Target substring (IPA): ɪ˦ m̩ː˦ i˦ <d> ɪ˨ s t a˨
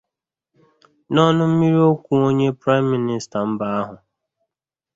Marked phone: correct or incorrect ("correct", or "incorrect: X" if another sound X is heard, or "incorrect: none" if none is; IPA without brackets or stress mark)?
incorrect: n